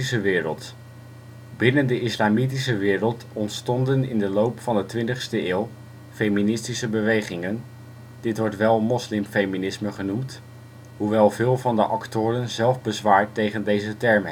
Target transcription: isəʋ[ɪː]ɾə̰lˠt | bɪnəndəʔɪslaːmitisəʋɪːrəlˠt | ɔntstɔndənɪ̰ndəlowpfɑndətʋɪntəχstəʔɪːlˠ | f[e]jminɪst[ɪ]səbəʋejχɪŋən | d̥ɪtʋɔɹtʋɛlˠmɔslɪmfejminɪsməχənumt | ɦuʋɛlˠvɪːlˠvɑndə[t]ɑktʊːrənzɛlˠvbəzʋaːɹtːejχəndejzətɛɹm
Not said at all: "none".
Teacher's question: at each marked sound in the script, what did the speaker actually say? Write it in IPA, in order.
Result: ɪː, e, i, ʔ

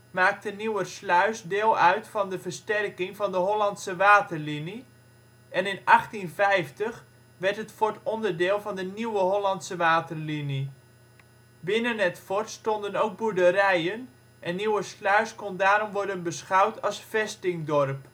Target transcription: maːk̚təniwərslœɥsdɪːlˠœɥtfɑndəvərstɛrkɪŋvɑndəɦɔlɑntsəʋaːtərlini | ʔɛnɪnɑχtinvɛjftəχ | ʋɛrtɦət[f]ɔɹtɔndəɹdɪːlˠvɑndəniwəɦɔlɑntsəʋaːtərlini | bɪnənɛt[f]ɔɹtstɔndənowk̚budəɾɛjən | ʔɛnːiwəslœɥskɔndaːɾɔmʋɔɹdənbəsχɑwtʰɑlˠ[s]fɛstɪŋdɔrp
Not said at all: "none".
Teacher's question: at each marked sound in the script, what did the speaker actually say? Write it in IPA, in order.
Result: f, f, s

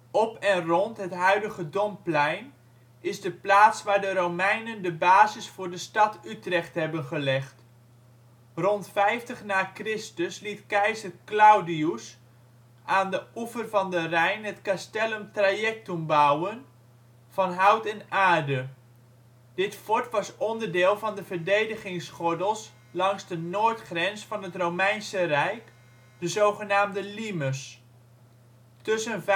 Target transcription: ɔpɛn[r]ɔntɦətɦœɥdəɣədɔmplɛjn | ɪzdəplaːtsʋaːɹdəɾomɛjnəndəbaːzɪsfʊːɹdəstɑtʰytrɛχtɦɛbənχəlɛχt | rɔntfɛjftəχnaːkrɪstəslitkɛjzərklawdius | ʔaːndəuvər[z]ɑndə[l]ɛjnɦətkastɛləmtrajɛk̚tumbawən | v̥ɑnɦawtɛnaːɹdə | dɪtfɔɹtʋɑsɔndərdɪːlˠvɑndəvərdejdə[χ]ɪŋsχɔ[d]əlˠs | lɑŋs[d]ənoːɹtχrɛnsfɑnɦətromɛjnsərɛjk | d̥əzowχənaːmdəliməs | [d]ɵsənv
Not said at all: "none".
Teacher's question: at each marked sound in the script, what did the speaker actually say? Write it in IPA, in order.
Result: r, v, r, χ, d, d, t

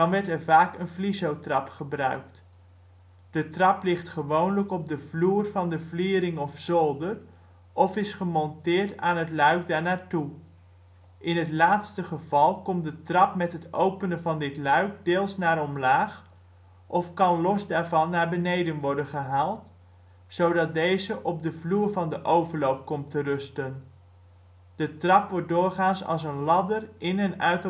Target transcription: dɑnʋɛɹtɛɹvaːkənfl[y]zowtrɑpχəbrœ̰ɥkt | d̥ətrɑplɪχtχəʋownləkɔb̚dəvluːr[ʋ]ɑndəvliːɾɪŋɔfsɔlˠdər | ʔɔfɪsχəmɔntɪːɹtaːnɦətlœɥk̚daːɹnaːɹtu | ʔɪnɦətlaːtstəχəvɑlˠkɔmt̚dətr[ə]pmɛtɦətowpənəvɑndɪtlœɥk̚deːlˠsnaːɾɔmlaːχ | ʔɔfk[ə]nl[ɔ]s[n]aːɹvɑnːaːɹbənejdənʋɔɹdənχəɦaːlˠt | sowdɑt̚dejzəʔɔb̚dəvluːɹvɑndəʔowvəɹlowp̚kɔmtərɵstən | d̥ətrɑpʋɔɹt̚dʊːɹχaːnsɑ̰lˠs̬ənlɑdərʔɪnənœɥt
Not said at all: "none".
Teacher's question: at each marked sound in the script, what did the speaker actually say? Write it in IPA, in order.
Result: i, v, ɑ, ɑ, ɔ, d

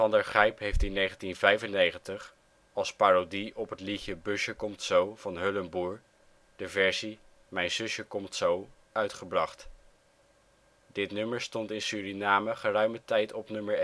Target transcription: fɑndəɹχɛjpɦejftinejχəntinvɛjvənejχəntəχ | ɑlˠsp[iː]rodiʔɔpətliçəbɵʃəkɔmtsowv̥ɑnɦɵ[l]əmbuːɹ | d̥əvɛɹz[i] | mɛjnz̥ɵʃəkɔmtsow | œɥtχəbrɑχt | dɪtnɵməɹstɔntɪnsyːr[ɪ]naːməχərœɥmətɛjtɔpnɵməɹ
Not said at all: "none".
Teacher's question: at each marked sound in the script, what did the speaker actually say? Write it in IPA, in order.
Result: aː, l, i, i

